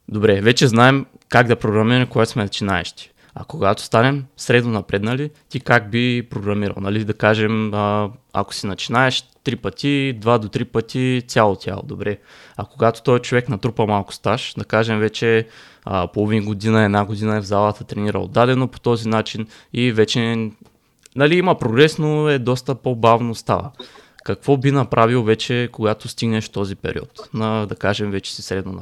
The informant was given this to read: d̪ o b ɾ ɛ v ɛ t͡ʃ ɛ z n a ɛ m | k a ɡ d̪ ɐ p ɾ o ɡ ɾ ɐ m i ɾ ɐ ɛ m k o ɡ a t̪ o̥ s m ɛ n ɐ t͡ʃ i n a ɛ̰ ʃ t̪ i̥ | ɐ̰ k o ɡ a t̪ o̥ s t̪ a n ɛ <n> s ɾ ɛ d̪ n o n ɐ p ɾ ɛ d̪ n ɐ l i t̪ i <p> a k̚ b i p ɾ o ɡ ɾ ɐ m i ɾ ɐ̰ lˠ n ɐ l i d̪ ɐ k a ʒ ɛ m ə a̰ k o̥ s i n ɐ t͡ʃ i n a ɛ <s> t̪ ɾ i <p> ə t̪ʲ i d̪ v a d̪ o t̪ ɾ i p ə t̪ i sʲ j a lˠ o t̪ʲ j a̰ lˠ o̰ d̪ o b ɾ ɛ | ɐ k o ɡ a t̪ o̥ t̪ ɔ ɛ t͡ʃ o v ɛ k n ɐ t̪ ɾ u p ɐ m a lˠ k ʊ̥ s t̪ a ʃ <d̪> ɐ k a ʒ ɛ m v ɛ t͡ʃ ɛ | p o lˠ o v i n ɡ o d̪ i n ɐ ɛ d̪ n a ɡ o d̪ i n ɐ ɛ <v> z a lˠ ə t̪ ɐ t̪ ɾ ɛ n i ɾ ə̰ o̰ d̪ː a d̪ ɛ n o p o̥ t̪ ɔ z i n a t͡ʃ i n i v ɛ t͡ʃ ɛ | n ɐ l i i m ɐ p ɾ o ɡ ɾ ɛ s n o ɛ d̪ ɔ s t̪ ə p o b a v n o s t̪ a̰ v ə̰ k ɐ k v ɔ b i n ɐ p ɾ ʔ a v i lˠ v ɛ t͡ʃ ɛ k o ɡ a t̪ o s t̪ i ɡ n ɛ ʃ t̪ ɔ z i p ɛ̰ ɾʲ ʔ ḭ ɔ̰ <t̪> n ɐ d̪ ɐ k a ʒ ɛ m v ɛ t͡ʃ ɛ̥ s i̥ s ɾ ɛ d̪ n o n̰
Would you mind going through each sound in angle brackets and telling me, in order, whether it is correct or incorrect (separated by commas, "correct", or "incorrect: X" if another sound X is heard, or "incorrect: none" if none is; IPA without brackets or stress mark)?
incorrect: m, incorrect: k, incorrect: ʃ, correct, correct, correct, correct